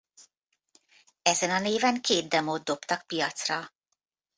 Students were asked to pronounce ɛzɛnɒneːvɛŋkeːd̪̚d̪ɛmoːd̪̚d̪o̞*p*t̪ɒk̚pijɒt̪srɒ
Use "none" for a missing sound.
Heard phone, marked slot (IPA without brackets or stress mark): p